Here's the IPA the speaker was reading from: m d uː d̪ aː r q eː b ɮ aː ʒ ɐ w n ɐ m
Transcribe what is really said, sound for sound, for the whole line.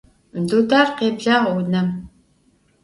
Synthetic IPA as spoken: m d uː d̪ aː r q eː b ɮ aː ʁ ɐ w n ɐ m